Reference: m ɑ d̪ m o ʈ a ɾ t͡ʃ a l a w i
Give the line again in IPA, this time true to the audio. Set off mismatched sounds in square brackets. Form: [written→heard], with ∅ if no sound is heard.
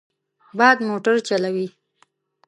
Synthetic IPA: [m→b] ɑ d̪ m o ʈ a ɾ t͡ʃ a l a w i